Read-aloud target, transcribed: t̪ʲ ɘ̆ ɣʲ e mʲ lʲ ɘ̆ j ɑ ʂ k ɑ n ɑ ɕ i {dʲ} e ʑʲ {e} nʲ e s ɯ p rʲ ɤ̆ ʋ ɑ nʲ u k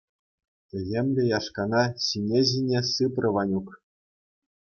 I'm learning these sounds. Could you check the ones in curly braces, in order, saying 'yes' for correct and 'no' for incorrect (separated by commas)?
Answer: no, no